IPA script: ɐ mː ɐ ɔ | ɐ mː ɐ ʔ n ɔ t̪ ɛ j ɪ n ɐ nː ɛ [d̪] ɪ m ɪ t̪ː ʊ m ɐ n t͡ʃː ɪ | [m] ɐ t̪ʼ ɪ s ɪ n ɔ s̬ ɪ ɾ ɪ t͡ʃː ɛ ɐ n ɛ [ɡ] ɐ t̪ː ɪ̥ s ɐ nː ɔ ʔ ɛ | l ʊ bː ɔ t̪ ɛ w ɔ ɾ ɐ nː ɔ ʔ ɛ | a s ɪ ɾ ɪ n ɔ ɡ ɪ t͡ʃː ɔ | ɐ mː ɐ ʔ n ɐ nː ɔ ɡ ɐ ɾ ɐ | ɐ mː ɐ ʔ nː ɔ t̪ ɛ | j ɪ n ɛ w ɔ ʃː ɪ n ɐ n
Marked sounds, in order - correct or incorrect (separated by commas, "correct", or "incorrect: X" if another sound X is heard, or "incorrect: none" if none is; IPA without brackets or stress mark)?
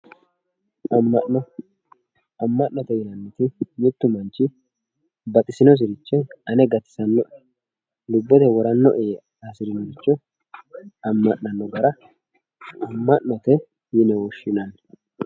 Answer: incorrect: t̪, incorrect: b, correct